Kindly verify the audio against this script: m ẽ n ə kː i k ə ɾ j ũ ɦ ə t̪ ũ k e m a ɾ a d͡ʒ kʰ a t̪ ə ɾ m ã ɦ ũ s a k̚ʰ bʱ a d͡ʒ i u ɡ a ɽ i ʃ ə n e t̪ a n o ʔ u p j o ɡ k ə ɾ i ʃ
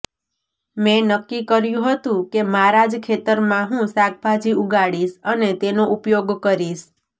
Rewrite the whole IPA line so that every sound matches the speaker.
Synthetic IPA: m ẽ n ə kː i k ə ɾ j ũ ɦ ə t̪ ũ k e m a ɾ a d͡ʒ kʰ e t̪ ə ɾ m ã ɦ ũ s a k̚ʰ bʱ a d͡ʒ i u ɡ a ɽ i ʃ ə n e t̪ e n o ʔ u p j o ɡ k ə ɾ i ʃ

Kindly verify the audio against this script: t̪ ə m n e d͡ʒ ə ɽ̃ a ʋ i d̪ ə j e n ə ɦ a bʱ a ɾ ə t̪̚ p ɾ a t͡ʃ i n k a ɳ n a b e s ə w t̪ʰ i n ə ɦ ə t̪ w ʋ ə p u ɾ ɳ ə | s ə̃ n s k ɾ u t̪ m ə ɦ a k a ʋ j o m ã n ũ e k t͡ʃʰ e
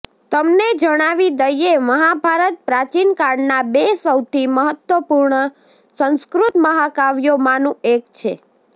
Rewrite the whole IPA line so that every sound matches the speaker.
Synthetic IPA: t̪ ə m n e d͡ʒ ə ɽ̃ a ʋ i d̪ ə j e m ə ɦ a bʱ a ɾ ə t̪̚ p ɾ a t͡ʃ i n k a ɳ n a b e s ə w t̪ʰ i m ə ɦ ə t̪ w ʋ ə p u ɾ ɳ ə | s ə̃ n s k ɾ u t̪ m ə ɦ a k a ʋ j o m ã n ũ e k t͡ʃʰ e

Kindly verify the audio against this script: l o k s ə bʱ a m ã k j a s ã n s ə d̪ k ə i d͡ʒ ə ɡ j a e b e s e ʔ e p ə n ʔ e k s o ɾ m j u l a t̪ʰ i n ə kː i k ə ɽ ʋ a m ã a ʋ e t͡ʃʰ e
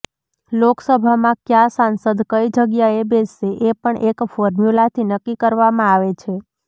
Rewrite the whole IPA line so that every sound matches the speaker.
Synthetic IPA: l o k s ə bʱ a m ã k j a s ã n s ə d̪ k ə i d͡ʒ ə ɡ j a e b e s e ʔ e p ə ɳ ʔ e k f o ɾ m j u l a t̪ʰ i n ə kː i k ə ɾ ʋ a m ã a ʋ e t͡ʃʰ e

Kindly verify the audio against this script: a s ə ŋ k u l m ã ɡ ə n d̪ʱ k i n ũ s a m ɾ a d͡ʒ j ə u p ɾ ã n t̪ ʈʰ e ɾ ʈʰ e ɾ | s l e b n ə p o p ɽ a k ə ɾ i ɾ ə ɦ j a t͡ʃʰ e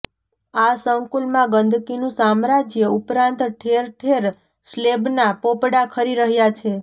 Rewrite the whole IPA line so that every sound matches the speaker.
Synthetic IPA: a s ə ŋ k u l m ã ɡ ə n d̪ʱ k i n ũ s a m ɾ a d͡ʒ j ə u p ɾ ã n t̪ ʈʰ e ɾ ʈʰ e ɾ | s l e b n a p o p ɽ a kʰ ə ɾ i ɾ ə ɦ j a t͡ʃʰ e

